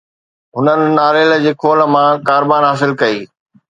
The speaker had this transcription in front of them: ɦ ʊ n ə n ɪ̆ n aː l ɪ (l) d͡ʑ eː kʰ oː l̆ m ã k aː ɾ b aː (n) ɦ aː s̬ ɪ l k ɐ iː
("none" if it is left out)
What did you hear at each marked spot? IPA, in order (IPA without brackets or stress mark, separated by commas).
l, n